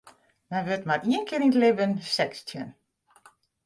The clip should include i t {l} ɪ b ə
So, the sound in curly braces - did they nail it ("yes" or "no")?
yes